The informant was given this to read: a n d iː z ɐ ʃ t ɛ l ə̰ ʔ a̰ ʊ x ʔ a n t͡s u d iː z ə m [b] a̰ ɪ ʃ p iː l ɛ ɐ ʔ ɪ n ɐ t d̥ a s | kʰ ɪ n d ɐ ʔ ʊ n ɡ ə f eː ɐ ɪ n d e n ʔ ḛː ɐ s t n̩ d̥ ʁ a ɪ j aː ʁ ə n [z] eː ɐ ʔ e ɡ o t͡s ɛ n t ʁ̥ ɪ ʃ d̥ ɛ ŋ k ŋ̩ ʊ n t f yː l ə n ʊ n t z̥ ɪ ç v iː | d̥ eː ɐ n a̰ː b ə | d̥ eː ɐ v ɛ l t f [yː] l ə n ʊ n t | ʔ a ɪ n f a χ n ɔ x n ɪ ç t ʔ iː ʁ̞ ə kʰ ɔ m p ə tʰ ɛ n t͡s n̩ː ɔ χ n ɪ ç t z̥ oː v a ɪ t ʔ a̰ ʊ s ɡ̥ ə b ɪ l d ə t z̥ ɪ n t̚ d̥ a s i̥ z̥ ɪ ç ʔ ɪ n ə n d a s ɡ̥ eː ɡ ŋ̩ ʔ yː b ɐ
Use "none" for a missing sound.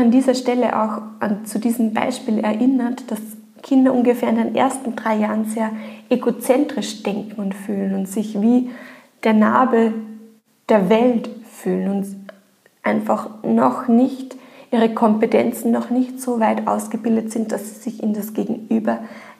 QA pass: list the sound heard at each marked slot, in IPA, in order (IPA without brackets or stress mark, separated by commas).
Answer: b, z, yː